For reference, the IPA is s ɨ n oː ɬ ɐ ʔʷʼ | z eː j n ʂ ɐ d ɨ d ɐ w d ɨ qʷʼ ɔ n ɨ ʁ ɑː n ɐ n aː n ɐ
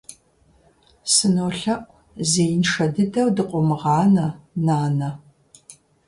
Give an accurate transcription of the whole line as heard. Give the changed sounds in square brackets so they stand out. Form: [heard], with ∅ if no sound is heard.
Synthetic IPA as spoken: s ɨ n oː ɬ ɐ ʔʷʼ | z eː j n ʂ ɐ d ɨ d ɐ w d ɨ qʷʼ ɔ [m] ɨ ʁ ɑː n ɐ n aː n ɐ